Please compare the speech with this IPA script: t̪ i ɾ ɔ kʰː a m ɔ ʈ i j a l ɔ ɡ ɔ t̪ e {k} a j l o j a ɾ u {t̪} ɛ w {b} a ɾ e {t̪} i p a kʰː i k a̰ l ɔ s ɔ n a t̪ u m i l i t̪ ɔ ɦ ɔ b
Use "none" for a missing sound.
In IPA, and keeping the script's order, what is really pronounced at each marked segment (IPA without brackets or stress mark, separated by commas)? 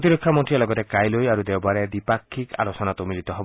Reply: k, d̪, b, d̪